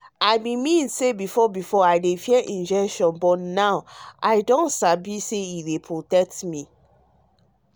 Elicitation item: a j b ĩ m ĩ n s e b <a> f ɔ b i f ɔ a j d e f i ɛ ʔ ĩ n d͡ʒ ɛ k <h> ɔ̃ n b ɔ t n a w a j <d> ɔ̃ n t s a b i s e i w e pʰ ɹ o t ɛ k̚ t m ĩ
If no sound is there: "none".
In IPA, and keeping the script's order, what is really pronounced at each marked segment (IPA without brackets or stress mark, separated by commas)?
i, ʃ, d